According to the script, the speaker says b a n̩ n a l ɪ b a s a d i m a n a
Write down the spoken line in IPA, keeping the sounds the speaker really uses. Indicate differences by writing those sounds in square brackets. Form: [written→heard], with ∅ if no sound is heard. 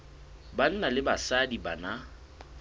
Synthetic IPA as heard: b a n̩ n a l ɪ b a s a d i [m→b] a n a